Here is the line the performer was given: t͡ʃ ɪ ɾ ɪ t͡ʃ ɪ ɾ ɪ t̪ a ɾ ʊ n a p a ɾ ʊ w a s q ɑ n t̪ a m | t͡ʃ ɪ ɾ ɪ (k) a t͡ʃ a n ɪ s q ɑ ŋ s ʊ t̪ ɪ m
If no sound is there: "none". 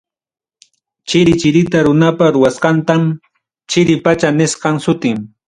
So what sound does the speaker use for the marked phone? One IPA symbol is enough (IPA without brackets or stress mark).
p